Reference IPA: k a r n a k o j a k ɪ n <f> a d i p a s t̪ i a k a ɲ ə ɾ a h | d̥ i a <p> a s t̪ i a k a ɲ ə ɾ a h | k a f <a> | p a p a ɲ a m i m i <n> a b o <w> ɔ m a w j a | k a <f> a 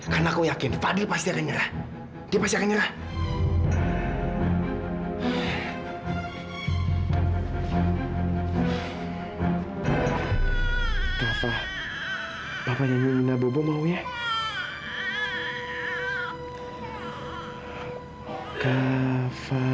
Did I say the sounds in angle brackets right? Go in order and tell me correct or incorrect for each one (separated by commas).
correct, correct, correct, correct, incorrect, correct